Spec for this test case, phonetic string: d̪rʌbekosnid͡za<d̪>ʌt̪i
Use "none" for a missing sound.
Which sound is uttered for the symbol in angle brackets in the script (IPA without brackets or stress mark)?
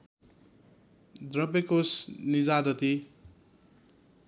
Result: d̪